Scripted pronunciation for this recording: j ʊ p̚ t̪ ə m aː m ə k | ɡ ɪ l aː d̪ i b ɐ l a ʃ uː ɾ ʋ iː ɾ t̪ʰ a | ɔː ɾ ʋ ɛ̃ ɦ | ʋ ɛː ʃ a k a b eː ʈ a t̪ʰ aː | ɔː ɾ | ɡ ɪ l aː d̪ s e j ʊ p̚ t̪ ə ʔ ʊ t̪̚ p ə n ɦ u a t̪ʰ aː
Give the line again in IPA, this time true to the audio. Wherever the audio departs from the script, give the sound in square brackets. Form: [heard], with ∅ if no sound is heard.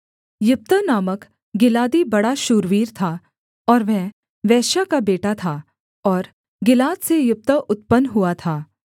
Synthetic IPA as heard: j ʊ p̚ t̪ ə [n] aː m ə k | ɡ ɪ l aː d̪ i b ɐ [ɽ] a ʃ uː ɾ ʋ iː ɾ t̪ʰ a | ɔː ɾ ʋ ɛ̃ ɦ | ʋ ɛː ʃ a k a b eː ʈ a t̪ʰ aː | ɔː ɾ | ɡ ɪ l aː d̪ s e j ʊ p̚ t̪ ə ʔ ʊ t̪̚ p ə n ɦ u a t̪ʰ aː